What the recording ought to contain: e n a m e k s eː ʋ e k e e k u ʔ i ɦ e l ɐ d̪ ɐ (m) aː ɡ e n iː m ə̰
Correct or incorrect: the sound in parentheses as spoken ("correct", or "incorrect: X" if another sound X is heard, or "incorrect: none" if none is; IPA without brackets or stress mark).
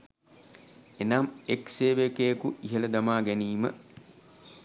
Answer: correct